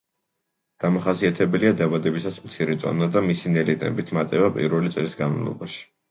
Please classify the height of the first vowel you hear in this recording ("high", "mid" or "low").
low